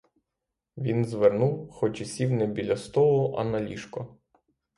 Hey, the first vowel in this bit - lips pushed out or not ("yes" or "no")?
no